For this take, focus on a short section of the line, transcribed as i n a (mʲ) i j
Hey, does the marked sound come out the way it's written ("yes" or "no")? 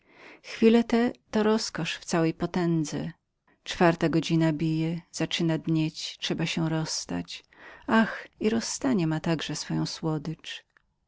no